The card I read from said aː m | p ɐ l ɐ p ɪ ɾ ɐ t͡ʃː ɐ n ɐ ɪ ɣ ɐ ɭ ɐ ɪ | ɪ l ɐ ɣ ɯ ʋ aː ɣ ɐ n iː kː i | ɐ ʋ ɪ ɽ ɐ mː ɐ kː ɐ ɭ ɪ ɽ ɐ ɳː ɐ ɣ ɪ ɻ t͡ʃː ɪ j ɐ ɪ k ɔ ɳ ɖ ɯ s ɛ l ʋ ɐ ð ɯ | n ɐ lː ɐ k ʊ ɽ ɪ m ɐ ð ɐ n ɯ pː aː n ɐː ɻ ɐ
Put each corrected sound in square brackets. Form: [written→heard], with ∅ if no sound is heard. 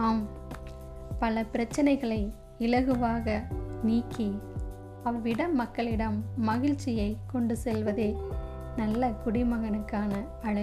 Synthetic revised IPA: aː m | p ɐ l ɐ p ɪ ɾ ɐ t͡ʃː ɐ n ɐ ɪ ɣ ɐ ɭ ɐ ɪ | ɪ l ɐ ɣ ɯ ʋ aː ɣ ɐ n iː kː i | ɐ ʋ ɪ ɽ ɐ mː ɐ kː ɐ ɭ ɪ ɽ ɐ [ɳː→mː] ɐ ɣ ɪ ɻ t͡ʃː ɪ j ɐ ɪ k ɔ ɳ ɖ ɯ s ɛ l ʋ ɐ ð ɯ | n ɐ lː ɐ k ʊ ɽ ɪ m ɐ [ð→ɣ] ɐ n ɯ [pː→kː] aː n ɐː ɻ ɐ